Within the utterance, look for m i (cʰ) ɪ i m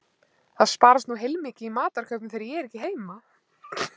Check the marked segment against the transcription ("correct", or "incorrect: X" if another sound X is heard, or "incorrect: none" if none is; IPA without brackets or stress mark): incorrect: c